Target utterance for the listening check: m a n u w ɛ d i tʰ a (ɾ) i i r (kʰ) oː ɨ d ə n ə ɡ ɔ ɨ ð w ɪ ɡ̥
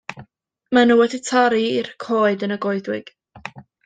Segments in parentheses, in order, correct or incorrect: correct, correct

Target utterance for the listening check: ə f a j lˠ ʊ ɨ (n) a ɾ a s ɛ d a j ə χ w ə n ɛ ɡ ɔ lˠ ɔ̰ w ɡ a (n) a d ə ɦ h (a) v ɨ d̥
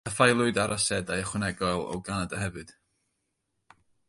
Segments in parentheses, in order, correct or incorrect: incorrect: d, correct, incorrect: ɛ

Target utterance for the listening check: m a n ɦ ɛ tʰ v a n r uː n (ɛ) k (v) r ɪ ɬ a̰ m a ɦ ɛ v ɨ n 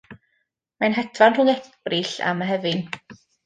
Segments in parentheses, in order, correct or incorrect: correct, incorrect: b

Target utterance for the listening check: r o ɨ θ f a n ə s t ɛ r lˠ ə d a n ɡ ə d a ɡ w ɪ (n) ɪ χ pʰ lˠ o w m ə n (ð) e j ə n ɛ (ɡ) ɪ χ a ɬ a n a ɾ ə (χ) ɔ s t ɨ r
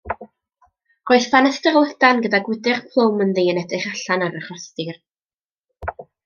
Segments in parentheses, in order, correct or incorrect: incorrect: d, correct, incorrect: d, correct

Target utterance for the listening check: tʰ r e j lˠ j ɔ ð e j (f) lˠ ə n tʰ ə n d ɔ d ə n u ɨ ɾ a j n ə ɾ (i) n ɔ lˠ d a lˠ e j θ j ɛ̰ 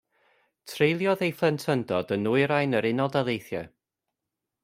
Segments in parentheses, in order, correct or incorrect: correct, incorrect: ɪ

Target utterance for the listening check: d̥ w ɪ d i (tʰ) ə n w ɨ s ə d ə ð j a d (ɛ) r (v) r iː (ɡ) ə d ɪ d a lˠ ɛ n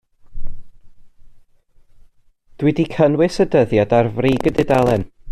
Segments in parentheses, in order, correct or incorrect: incorrect: kʰ, incorrect: a, correct, correct

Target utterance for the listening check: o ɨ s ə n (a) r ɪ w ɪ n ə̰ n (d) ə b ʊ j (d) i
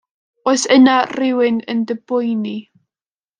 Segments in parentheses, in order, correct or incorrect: correct, correct, incorrect: n

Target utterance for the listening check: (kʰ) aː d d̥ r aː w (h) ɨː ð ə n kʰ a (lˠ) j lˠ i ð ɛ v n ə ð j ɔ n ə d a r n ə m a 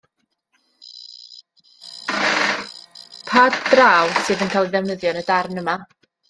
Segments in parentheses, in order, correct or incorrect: incorrect: pʰ, incorrect: s, incorrect: none

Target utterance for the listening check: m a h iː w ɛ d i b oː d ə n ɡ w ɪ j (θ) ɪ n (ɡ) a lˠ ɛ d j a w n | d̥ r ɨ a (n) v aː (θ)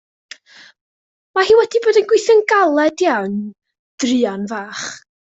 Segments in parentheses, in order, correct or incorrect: correct, correct, correct, incorrect: χ

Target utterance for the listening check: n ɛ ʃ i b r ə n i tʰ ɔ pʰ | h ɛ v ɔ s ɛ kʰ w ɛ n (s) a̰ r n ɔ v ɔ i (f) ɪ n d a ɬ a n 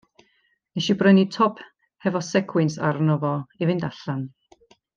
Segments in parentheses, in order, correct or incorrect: correct, incorrect: v

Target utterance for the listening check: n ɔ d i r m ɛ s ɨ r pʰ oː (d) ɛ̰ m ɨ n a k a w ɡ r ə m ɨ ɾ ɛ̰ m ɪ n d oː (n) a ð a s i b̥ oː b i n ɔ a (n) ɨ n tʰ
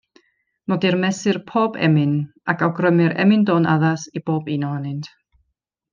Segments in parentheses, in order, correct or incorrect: incorrect: b, correct, correct

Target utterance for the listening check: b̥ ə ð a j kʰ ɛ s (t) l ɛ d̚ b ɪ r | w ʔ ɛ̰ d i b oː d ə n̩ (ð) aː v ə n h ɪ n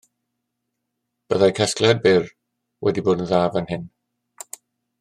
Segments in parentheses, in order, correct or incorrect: incorrect: k, correct

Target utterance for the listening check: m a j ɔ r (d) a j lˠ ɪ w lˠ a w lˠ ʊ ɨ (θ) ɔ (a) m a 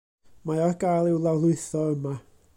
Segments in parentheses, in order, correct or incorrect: incorrect: ɡ, correct, incorrect: ə

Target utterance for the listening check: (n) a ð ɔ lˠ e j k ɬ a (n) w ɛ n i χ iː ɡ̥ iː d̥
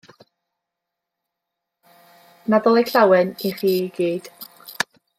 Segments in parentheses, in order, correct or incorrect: correct, incorrect: none

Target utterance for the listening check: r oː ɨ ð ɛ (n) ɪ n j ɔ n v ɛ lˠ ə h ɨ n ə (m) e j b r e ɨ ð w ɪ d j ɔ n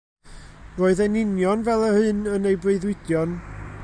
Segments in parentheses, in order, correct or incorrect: correct, incorrect: n

